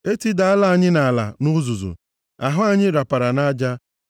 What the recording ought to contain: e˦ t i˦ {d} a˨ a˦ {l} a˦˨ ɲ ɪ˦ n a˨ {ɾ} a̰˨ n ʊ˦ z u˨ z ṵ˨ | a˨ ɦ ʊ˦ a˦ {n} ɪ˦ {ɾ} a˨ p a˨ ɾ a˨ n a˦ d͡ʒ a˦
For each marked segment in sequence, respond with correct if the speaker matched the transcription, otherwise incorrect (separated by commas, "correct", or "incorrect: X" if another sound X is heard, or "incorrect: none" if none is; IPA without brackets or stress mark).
correct, correct, incorrect: l, incorrect: ɲ, correct